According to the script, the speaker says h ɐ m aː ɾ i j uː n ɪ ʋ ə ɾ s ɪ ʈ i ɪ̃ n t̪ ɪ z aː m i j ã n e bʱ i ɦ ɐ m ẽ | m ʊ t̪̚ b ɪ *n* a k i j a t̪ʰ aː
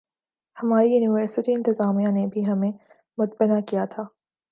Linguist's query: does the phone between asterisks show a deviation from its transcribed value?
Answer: no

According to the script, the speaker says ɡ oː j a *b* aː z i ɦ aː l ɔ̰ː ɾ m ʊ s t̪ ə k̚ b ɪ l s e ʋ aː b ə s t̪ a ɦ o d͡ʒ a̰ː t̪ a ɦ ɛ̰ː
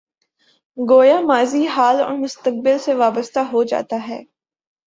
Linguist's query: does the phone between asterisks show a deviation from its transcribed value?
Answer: yes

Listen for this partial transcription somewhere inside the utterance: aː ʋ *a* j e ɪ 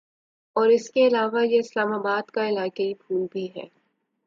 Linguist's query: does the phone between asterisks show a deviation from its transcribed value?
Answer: no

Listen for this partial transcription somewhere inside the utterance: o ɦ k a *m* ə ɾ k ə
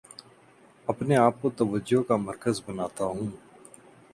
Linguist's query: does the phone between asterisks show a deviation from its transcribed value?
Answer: no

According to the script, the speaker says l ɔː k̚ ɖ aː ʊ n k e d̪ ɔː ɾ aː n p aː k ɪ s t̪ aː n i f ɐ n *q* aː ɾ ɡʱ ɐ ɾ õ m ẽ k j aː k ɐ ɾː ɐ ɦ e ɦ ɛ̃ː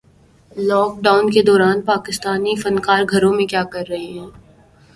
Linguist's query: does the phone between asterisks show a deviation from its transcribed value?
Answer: yes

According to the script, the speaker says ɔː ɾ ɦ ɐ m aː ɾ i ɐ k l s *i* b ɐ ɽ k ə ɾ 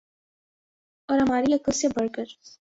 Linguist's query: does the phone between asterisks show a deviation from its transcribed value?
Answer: yes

